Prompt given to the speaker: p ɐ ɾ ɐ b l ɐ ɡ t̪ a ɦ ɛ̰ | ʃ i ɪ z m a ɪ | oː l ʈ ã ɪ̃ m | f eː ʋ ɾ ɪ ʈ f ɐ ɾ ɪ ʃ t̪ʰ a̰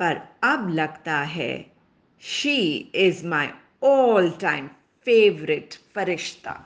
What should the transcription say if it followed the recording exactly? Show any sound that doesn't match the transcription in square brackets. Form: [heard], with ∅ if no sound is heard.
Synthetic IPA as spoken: p ɐ ɾ ɐ b l ɐ ɡ t̪ a ɦ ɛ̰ | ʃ i ɪ z m a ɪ | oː l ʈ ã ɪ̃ m | f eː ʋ ɾ ɪ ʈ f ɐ ɾ ɪ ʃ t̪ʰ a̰